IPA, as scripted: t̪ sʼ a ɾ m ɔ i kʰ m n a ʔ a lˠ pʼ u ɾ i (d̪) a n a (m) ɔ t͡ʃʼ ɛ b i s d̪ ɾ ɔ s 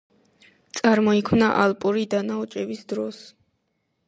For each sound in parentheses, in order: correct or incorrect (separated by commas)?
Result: correct, incorrect